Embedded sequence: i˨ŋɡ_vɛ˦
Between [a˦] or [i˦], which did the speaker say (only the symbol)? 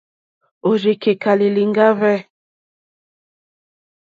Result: a˦